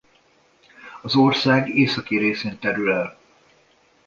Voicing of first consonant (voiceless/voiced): voiced